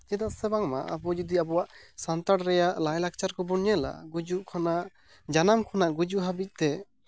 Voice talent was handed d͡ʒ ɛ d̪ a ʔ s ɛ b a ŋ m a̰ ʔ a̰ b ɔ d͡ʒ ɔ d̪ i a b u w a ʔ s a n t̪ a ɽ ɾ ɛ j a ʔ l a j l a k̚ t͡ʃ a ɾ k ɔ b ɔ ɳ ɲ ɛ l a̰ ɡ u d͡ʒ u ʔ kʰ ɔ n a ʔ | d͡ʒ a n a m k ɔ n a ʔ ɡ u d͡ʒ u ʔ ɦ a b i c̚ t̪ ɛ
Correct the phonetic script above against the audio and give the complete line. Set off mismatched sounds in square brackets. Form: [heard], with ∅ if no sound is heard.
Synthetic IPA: d͡ʒ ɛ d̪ a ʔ s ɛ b a ŋ m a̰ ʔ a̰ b ɔ d͡ʒ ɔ d̪ i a b [ɔ] w a ʔ s a n t̪ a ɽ ɾ ɛ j a ʔ l a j l a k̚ t͡ʃ a ɾ k ɔ b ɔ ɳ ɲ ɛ l a̰ ɡ u d͡ʒ u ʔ kʰ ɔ n a ʔ | d͡ʒ a n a m [kʰ] ɔ n a ʔ ɡ u d͡ʒ u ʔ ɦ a b i c̚ t̪ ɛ